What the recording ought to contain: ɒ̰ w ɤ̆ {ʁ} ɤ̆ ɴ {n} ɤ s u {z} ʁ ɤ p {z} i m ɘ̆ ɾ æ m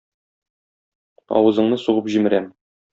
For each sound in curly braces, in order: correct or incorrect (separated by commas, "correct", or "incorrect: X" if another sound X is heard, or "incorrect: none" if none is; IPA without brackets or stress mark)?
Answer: incorrect: z, correct, incorrect: none, incorrect: ʑ